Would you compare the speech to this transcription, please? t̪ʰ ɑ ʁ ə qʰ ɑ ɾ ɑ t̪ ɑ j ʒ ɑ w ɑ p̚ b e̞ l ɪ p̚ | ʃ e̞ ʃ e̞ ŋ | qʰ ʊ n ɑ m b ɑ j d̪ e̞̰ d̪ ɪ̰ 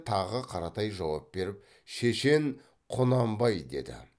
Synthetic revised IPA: t̪ʰ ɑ ʁ ə qʰ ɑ ɾ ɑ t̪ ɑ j ʒ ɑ w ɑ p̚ b e̞ ɾ ɪ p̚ | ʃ e̞ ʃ e̞ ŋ | qʰ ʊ n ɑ m b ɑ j d̪ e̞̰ d̪ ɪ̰